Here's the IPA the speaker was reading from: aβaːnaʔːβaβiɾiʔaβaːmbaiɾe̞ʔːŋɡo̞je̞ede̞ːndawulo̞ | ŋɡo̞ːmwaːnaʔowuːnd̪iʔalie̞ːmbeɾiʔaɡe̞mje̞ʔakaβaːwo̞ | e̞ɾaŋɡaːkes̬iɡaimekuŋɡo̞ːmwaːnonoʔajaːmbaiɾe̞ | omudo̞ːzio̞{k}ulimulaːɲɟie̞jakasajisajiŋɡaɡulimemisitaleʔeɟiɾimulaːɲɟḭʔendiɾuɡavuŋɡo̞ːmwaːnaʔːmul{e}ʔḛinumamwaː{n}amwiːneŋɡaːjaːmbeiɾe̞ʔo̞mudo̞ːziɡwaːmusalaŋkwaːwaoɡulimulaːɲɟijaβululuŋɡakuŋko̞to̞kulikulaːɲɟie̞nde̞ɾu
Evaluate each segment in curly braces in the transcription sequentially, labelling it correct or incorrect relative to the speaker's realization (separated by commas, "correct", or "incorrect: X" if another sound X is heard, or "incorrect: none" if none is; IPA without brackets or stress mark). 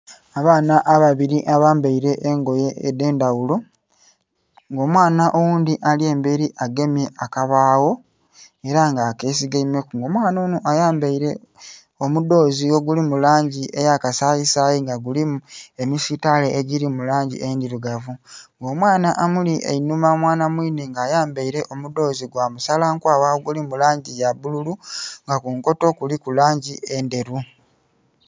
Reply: incorrect: ɡ, incorrect: i, correct